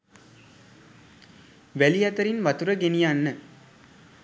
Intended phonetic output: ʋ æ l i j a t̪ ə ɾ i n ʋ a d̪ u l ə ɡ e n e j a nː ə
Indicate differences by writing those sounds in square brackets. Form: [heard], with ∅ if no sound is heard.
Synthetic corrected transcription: ʋ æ l i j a t̪ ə ɾ i n ʋ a [t̪] u [ɾ] ə ɡ e n [i] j a nː ə